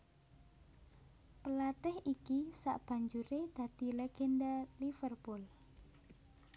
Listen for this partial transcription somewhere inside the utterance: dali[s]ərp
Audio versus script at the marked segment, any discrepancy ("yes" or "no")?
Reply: yes